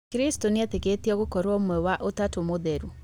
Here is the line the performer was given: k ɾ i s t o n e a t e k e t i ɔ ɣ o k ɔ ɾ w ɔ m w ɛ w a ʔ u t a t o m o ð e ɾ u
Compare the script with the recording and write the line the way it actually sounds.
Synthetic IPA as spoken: k ɾ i s t o n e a t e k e t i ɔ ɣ o k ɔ ɾ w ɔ m w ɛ w a ʔ o t a t o m o ð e ɾ u